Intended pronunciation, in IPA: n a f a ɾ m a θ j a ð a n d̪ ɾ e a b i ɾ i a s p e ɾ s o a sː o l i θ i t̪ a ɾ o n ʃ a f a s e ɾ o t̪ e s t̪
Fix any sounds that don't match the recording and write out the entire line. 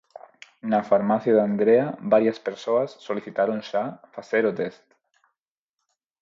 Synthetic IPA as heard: n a f a ɾ m a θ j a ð a n d̪ ɾ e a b a ɾ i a s p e ɾ s o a sː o l i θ i t̪ a ɾ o n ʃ a f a s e ɾ o t̪ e s t̪